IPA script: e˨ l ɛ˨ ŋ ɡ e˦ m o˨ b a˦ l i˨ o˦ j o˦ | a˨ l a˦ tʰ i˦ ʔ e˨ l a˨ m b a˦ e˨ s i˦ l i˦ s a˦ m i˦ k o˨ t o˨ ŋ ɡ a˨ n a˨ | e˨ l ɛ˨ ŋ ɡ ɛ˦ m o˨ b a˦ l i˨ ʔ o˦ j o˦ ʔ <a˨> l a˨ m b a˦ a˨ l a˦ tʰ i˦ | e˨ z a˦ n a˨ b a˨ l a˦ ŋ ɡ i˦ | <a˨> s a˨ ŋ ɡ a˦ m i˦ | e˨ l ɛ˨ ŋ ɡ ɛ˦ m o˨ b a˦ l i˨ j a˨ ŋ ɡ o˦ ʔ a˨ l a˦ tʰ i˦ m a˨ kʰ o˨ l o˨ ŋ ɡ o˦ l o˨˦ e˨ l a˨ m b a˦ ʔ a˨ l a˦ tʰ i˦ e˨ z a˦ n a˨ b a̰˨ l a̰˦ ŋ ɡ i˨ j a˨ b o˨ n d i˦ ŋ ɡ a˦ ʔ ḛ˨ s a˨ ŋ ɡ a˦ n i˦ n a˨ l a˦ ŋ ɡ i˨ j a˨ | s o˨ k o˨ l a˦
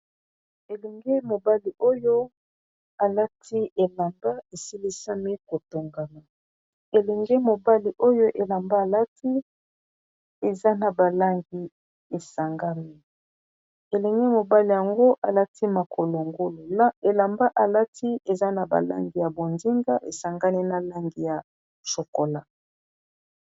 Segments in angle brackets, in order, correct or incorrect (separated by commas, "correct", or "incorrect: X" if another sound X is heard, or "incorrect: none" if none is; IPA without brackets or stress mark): incorrect: e˨, incorrect: e˨